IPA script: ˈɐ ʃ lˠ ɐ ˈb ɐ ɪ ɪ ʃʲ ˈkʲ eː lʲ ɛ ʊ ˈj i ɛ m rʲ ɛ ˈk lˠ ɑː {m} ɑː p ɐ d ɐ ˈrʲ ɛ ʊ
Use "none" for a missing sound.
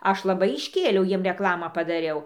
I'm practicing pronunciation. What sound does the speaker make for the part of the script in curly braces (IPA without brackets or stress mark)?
m